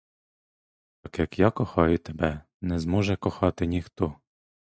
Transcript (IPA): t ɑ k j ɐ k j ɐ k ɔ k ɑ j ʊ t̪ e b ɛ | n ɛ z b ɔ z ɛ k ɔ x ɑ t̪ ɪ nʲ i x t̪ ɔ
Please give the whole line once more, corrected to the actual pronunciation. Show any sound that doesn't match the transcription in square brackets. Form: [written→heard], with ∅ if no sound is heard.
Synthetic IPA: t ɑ k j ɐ k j [ɐ→ɑ] k ɔ [k→x] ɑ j ʊ t̪ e b ɛ | n ɛ z [b→m] ɔ [z→ʒ] ɛ k ɔ x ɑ t̪ ɪ nʲ i x t̪ ɔ